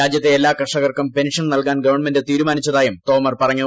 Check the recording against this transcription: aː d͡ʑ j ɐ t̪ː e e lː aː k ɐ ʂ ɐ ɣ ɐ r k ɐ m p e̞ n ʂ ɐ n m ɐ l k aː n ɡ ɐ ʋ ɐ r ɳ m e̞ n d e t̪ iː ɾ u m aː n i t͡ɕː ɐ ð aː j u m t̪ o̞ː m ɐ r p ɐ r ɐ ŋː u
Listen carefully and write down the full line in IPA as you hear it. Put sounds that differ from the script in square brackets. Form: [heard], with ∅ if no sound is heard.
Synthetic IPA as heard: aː d͡ʑ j ɐ t̪ː e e lː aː k ɐ ʂ ɐ ɣ ɐ r k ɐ m p e̞ n ʂ ɐ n [n] ɐ l k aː n ɡ ɐ ʋ ɐ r ɳ m e̞ n d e t̪ iː ɾ u m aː n i t͡ɕː ɐ ð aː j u m t̪ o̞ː m ɐ r p ɐ r ɐ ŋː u